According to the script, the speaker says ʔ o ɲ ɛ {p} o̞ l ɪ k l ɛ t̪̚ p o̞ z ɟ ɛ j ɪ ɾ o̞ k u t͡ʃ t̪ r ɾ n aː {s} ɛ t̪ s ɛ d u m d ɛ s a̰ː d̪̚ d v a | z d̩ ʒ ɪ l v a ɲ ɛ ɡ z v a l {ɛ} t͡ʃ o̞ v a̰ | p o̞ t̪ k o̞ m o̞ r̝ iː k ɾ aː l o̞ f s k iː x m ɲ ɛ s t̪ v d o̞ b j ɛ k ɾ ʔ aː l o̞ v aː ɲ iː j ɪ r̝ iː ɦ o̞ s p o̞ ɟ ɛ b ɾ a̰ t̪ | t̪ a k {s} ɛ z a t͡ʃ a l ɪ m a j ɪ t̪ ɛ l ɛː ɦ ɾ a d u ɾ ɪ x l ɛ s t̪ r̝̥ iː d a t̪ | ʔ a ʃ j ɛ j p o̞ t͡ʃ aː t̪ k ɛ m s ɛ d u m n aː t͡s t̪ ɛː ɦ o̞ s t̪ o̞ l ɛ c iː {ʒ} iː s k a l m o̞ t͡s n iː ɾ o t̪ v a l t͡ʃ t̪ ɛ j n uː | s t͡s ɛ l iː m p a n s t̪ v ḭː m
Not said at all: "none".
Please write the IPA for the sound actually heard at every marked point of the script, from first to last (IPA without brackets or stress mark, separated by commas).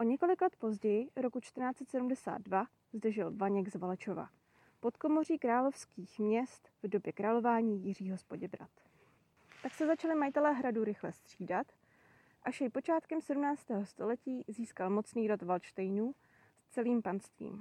k, t͡s, ɛ, s, z